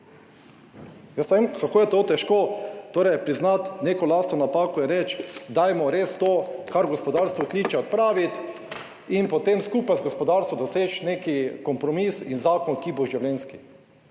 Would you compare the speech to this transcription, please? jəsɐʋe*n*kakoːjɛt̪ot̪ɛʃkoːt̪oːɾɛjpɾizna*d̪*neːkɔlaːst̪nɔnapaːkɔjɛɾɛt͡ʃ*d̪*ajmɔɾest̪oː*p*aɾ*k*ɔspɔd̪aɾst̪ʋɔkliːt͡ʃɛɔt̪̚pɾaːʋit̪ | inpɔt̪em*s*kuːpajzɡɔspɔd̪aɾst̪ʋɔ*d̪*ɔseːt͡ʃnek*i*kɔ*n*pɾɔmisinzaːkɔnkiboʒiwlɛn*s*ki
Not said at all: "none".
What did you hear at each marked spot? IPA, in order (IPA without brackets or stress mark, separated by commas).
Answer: m, t̪, d̪, k, ɡ, s, d̪, i, m, s